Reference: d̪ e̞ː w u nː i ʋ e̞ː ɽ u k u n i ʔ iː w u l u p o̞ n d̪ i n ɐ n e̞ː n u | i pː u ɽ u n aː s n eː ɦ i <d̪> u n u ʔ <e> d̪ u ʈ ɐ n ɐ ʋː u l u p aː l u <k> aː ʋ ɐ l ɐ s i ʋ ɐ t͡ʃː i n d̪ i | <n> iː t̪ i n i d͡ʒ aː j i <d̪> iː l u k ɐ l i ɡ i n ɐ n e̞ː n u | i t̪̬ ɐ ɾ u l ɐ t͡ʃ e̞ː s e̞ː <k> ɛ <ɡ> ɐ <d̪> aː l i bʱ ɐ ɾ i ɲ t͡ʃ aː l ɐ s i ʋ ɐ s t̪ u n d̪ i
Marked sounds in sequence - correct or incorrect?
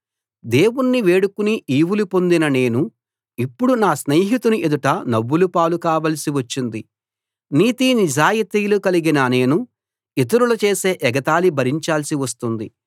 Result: incorrect: t̪, correct, correct, correct, incorrect: t̪, incorrect: ʔ, correct, incorrect: t̪

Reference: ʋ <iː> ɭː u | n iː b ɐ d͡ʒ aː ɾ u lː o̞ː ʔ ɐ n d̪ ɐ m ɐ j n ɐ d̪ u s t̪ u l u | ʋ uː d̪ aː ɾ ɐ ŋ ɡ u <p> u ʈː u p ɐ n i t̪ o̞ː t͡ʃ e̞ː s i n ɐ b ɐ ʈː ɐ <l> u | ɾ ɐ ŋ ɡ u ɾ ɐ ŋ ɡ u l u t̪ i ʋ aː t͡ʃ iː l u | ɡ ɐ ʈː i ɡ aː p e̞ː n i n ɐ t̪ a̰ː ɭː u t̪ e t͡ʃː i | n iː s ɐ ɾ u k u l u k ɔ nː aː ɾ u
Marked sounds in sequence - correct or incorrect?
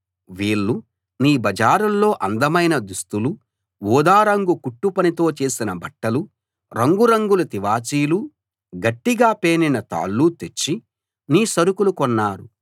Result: correct, incorrect: k, correct

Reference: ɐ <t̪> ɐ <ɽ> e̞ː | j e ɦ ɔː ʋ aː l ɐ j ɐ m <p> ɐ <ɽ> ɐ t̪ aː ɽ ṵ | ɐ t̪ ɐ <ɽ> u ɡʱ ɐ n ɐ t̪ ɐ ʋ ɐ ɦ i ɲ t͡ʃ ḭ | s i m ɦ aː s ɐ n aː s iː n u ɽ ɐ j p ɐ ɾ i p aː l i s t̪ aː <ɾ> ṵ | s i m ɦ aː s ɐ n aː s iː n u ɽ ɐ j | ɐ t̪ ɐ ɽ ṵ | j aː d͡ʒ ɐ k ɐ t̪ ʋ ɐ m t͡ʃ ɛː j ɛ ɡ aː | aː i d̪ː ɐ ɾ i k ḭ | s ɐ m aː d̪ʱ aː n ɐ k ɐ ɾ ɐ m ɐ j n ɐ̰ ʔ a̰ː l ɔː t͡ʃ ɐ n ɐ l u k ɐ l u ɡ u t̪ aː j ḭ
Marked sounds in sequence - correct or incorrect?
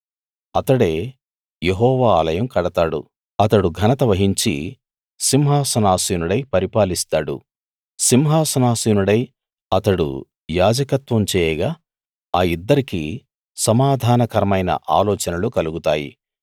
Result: correct, correct, incorrect: k, correct, correct, incorrect: ɽ

